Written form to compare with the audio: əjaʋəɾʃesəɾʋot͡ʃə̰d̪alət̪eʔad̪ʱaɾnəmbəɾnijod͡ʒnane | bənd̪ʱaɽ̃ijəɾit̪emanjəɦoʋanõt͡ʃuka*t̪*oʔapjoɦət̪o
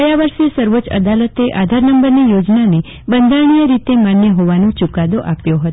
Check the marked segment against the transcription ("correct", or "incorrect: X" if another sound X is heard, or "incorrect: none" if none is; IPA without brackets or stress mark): incorrect: d̪